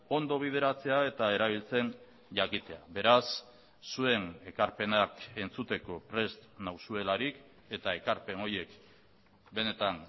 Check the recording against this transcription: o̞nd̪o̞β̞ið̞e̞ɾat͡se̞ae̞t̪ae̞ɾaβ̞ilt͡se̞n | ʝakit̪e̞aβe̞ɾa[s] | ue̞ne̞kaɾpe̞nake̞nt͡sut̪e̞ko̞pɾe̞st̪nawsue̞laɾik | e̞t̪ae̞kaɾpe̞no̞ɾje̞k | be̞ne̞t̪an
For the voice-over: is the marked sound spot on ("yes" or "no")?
no